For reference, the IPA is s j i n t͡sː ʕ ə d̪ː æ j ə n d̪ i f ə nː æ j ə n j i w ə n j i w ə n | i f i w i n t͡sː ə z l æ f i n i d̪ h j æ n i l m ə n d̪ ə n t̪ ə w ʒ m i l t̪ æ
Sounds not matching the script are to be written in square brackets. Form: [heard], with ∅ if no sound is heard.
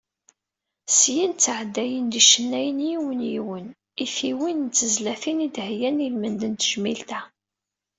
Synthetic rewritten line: s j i n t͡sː ʕ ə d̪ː æ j ə n d̪ i [ʃ] ə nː æ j ə n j i w ə n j i w ə n | i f i w i n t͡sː ə z l æ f i n i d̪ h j æ n i l m ə n d̪ ə n t̪ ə [∅] ʒ m i l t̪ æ